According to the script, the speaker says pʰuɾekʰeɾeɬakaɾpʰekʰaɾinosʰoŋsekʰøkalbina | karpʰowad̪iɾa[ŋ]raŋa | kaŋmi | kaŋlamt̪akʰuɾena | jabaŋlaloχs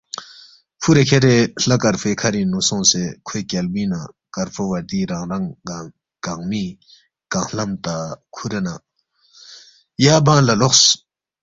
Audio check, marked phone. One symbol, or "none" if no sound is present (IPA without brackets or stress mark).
ŋ